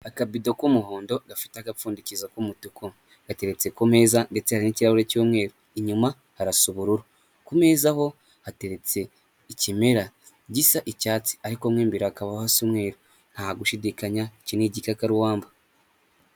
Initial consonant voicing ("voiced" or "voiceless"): voiceless